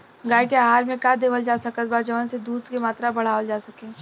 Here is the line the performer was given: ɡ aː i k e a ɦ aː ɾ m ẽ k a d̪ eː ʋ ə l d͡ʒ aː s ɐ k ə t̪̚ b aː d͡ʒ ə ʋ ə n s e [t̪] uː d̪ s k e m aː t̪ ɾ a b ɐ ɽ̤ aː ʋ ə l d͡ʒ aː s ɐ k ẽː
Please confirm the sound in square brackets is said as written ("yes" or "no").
no